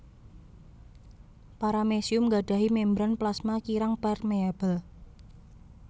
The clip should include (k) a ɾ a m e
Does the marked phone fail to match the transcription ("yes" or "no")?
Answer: yes